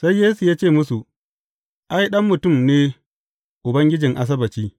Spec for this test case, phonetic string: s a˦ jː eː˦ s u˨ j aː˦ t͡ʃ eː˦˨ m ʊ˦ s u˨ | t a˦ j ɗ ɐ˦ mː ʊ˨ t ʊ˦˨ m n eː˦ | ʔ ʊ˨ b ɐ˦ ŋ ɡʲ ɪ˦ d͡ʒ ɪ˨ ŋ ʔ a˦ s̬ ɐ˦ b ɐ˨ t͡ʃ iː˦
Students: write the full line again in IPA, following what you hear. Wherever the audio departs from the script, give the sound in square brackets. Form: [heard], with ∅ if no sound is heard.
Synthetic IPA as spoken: s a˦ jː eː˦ s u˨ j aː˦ t͡ʃ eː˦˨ m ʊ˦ s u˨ | [ʔ] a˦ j ɗ ɐ˦ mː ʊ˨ t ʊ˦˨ m n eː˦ | ʔ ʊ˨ b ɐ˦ ŋ ɡʲ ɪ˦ d͡ʒ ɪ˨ ŋ ʔ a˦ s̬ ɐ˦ b ɐ˨ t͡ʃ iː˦